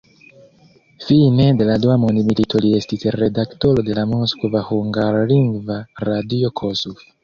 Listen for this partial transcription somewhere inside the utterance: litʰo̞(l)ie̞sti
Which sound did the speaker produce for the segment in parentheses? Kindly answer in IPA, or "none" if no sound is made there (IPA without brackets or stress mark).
l